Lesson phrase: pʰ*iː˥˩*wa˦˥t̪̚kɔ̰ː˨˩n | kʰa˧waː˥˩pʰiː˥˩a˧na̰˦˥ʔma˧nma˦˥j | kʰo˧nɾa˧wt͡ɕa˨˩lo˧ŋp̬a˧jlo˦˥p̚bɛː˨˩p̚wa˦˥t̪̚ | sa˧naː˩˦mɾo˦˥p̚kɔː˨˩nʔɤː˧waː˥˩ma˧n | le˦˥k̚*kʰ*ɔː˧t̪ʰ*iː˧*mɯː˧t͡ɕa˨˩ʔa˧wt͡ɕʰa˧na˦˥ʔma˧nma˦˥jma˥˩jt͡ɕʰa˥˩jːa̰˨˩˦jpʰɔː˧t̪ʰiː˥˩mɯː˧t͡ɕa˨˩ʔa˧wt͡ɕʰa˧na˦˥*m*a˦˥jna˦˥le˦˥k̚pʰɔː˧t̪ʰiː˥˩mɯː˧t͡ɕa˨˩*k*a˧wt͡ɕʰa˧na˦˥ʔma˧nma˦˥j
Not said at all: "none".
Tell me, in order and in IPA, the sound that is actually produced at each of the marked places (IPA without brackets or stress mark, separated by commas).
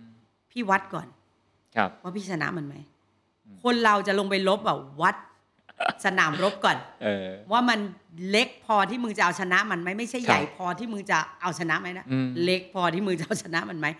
iː˥˩, pʰ, iː˥˩, m, ʔ